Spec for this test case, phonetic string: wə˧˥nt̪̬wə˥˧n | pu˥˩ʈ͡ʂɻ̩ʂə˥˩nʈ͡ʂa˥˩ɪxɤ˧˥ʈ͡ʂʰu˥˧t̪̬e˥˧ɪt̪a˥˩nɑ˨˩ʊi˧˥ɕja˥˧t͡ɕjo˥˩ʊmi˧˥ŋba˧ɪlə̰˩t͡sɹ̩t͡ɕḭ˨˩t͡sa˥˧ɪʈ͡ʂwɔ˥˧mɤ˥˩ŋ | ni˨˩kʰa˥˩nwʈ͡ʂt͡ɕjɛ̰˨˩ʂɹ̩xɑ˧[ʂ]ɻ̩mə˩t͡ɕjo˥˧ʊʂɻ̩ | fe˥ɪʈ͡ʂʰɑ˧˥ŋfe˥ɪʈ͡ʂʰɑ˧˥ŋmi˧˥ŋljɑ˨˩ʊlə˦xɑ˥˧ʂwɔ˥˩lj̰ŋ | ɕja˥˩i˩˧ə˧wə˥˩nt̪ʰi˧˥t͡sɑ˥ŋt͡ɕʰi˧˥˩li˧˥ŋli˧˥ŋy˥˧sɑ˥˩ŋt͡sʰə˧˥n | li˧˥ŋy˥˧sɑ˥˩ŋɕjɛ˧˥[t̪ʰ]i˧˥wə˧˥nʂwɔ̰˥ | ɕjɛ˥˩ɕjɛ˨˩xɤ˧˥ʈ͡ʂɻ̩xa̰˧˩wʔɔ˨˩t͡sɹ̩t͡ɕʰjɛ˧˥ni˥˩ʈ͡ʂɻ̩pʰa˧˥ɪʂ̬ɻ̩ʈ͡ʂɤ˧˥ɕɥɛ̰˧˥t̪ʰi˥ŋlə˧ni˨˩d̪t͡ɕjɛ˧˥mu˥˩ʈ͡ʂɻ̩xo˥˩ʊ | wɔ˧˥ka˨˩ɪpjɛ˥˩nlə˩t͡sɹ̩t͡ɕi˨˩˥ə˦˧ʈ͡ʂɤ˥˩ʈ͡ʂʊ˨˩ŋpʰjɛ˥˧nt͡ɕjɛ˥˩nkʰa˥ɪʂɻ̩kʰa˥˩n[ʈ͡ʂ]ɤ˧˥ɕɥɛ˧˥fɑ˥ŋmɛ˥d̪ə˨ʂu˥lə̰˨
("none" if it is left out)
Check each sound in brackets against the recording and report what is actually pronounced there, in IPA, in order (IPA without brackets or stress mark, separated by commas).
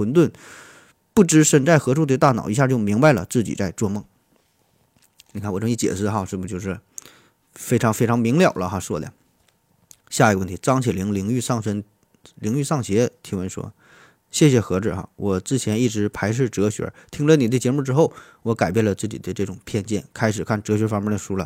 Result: ʂ, t̪ʰ, ʈ͡ʂ